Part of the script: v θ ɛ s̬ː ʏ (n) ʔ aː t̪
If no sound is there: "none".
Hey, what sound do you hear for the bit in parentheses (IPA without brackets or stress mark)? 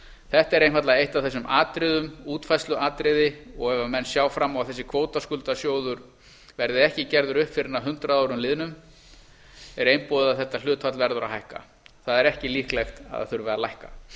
m